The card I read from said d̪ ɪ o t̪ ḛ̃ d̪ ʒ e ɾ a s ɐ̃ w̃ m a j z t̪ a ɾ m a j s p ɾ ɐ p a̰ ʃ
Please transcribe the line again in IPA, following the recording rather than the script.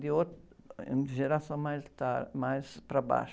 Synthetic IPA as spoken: d̪ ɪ o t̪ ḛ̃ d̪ ʒ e ɾ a s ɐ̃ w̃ m a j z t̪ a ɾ m a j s p ɾ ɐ b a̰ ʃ